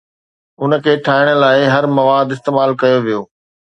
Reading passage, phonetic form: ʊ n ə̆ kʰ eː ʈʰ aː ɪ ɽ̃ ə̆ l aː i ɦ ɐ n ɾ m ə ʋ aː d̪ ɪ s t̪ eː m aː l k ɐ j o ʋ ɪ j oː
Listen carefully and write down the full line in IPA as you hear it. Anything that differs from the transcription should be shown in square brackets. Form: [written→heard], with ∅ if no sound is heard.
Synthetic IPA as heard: ʊ n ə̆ kʰ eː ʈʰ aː ɪ ɽ̃ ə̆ l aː [i→ɪ] ɦ ɐ [n→∅] ɾ m [ə→ɐ] ʋ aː d̪ ɪ s t̪ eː m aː l k ɐ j o ʋ [ɪ→i] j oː